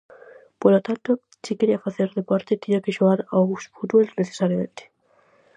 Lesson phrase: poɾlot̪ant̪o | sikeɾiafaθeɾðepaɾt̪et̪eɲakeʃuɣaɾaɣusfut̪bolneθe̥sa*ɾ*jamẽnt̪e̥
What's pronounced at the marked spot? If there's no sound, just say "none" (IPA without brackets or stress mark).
ɾ